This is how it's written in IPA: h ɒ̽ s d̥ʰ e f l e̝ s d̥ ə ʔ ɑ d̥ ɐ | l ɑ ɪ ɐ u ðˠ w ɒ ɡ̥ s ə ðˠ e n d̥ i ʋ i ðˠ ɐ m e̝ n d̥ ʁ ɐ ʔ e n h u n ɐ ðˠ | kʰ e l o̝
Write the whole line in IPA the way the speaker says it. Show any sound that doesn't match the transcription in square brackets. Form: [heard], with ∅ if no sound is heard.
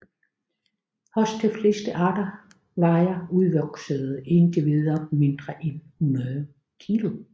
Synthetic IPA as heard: h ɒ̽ s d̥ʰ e f l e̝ s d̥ ə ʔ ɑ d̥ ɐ | l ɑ ɪ ɐ u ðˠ [ʋ] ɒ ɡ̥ s ə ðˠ e n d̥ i ʋ i ðˠ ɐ m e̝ n d̥ ʁ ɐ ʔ e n h u n ɐ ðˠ | kʰ [i] l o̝